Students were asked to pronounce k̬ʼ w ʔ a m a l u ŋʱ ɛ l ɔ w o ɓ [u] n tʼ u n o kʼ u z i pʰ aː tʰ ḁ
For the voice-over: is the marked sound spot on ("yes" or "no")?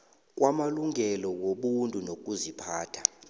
yes